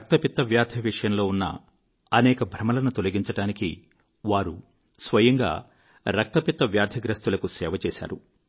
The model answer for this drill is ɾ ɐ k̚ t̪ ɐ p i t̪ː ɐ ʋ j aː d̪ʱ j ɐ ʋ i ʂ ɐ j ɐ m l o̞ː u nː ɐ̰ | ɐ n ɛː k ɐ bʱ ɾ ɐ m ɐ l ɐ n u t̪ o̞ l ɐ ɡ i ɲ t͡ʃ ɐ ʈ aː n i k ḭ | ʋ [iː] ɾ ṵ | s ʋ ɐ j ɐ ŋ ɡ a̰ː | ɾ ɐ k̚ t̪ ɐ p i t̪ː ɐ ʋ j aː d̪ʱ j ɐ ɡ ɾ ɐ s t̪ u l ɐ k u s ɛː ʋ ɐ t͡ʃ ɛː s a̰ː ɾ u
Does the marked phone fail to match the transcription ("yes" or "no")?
yes